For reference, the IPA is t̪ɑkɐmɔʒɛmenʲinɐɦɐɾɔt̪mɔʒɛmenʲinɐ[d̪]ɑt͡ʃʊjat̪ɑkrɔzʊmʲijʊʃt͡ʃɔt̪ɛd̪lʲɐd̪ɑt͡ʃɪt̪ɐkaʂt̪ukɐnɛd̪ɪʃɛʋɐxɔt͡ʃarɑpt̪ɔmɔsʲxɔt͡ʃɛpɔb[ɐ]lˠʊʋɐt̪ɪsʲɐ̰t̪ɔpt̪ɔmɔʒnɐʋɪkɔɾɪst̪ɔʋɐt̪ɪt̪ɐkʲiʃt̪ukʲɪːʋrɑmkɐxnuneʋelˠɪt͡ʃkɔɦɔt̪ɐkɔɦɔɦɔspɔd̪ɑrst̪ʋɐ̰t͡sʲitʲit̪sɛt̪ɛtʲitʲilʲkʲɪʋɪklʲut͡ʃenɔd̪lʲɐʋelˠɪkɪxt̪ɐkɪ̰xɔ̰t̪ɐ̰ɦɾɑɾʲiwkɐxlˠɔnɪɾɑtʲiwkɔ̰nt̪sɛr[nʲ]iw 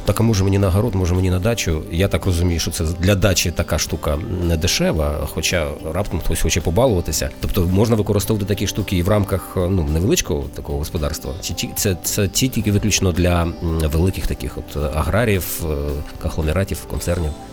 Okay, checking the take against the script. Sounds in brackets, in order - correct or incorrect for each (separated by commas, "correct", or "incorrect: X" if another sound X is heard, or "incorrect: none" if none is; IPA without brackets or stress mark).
correct, incorrect: ɑ, correct